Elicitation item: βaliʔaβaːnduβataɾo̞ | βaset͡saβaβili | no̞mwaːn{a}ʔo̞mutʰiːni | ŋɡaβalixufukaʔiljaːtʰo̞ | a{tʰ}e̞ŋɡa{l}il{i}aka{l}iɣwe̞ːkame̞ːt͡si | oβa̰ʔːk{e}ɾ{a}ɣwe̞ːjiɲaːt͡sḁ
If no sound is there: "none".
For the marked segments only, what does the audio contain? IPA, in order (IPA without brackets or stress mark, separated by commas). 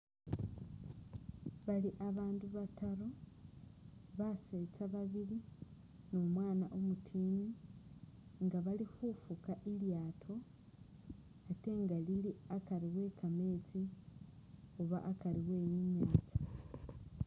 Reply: a, t, l, i, ɾ, a, i